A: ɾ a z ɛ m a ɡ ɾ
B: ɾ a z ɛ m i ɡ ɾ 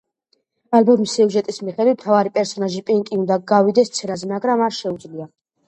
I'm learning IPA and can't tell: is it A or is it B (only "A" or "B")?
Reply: A